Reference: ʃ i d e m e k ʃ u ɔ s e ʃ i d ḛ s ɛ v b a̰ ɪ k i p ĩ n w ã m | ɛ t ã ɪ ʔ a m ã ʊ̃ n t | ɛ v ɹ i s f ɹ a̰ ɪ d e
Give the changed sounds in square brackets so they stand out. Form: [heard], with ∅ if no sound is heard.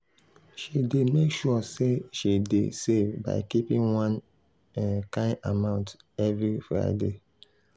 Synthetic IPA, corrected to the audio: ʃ i d e m e k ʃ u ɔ s e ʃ i d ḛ s [e] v b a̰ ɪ k i p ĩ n w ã [n] | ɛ [k] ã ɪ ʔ a m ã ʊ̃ n t | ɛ v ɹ i [∅] f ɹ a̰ ɪ d e